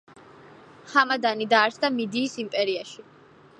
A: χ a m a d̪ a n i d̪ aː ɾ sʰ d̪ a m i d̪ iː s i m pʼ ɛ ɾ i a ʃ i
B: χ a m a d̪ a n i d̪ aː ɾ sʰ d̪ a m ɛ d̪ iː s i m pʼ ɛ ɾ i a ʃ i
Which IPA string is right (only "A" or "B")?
A